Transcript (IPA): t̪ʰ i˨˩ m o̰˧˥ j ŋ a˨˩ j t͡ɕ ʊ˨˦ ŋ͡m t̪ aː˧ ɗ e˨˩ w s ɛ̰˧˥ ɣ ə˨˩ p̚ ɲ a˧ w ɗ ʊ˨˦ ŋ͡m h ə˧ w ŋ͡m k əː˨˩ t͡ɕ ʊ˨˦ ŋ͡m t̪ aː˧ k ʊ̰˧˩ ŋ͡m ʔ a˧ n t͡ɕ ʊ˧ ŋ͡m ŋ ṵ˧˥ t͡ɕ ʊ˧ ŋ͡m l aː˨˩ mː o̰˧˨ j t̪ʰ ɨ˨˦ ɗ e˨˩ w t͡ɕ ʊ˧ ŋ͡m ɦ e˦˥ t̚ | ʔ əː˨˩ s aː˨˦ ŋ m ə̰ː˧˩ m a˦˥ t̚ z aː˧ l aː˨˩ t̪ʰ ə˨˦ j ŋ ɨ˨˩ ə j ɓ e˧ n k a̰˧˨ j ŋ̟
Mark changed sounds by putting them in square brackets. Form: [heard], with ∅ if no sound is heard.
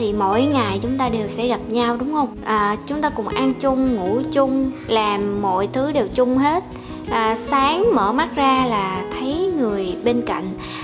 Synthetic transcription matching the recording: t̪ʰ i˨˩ m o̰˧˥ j ŋ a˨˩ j t͡ɕ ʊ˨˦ ŋ͡m t̪ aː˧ ɗ e˨˩ w s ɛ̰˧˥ ɣ [a˨˩] p̚ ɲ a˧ w ɗ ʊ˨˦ ŋ͡m h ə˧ w ŋ͡m [ʔ] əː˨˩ t͡ɕ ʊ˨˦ ŋ͡m t̪ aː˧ k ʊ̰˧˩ ŋ͡m ʔ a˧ n t͡ɕ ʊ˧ ŋ͡m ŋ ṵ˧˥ t͡ɕ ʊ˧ ŋ͡m l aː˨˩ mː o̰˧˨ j t̪ʰ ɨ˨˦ ɗ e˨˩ w t͡ɕ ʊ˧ ŋ͡m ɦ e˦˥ t̚ | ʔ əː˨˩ s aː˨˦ ŋ m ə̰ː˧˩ m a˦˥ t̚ z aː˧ l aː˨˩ t̪ʰ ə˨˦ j ŋ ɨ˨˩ ə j ɓ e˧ n k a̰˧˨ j ŋ̟